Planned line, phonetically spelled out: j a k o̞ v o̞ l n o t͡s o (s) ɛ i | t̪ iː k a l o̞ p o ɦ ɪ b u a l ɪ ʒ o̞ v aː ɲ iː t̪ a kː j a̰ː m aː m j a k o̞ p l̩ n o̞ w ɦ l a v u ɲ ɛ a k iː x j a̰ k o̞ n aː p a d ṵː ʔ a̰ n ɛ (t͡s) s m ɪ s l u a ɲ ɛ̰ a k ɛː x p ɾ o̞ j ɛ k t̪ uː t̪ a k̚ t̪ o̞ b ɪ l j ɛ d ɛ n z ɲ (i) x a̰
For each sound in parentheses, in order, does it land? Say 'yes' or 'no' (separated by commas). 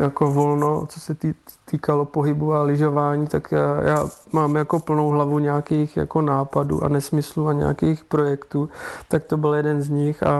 yes, no, no